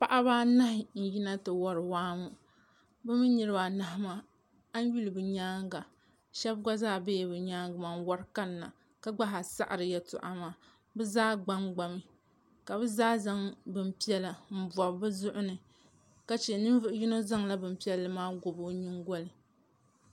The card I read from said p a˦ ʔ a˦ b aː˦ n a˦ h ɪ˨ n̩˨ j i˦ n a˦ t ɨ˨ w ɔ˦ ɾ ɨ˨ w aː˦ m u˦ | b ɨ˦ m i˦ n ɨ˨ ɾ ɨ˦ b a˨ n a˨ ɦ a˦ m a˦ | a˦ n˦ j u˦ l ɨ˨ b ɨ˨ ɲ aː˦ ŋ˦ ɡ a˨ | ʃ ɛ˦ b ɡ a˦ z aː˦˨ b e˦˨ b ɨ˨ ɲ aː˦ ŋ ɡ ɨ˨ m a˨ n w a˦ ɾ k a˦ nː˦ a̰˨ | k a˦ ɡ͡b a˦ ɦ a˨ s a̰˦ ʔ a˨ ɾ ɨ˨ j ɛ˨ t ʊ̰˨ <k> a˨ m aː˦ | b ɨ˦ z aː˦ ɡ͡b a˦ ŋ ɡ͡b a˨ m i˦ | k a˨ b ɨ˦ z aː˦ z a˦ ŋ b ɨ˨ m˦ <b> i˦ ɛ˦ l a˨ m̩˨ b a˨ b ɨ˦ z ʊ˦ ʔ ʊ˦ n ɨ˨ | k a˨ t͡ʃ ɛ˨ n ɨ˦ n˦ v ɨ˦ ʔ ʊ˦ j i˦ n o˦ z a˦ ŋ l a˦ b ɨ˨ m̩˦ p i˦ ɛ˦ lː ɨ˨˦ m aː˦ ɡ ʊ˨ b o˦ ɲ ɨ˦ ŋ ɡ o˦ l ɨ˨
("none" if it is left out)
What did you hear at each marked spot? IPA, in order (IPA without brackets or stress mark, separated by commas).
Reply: ʔ, p